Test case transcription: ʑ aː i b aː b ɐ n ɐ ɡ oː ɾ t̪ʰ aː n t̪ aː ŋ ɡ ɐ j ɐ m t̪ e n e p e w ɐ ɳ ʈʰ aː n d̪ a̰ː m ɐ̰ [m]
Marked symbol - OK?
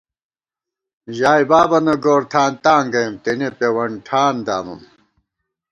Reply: yes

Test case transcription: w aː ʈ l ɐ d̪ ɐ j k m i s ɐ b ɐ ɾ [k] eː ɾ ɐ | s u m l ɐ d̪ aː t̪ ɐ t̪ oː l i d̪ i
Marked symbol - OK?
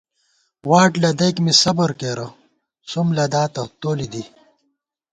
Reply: yes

